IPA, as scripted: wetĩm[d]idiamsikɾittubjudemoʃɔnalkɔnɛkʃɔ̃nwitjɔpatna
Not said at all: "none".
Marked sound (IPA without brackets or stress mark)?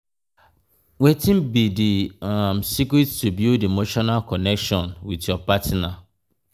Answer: b